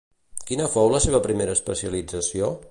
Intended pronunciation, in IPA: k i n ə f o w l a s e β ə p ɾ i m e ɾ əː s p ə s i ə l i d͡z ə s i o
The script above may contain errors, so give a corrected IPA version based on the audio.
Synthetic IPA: k i n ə f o w l ə s e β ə p ɾ i m e ɾ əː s p ə s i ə l i d͡z ə s i o